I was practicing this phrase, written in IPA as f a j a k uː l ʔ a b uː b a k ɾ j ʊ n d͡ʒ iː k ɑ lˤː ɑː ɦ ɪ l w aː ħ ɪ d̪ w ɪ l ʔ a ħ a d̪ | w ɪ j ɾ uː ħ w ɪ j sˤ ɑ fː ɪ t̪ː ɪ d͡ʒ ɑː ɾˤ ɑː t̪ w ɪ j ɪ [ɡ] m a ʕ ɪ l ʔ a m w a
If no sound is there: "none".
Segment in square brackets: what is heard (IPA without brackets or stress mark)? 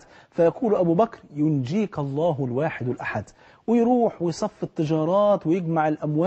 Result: ɡ